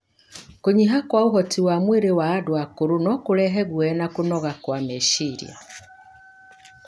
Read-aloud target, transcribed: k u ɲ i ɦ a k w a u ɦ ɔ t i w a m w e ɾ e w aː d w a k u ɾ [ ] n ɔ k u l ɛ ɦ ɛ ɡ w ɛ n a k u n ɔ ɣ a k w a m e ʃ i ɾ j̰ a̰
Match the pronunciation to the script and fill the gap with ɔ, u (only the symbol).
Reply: u